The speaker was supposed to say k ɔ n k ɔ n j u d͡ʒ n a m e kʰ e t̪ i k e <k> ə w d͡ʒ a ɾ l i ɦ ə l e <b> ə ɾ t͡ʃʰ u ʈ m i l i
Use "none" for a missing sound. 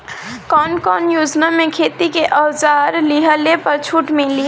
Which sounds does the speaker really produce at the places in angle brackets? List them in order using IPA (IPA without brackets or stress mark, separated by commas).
ʔ, p